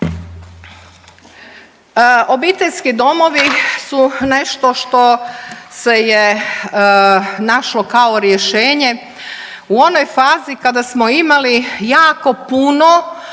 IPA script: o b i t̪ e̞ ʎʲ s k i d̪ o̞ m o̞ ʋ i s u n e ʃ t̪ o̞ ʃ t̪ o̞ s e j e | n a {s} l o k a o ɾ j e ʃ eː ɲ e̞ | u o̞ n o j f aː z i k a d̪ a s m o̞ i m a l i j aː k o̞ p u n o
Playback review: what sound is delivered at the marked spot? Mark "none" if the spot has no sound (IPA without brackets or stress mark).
ʃ